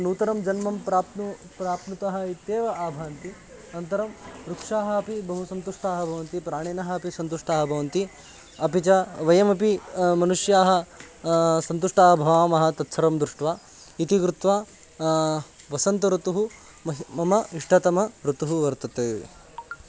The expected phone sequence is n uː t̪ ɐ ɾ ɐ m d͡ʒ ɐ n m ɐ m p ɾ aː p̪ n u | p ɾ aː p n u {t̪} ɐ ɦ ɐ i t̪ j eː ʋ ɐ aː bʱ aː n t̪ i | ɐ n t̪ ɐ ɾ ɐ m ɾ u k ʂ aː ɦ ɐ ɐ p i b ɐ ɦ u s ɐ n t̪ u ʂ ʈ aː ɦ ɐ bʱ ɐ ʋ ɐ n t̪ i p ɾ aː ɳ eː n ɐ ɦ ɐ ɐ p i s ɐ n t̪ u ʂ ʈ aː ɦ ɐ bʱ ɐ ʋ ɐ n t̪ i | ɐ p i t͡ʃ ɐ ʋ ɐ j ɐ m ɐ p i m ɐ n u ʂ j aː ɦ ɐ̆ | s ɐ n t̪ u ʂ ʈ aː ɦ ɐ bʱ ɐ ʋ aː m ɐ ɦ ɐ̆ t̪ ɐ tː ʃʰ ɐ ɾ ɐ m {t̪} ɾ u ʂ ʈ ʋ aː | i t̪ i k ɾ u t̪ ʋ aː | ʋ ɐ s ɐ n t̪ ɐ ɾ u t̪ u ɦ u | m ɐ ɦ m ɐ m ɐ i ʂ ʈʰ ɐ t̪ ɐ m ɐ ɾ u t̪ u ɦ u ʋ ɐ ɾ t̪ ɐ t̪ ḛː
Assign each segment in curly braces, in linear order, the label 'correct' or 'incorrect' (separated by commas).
correct, incorrect